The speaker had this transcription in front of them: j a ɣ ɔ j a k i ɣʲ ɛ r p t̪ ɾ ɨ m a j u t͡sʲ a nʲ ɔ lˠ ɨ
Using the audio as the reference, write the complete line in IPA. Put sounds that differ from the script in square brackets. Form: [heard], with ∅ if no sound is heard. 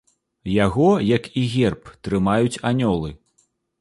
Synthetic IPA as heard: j a ɣ ɔ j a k i ɣʲ ɛ r p t̪ ɾ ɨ m a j u t͡sʲ a nʲ ɔ lˠ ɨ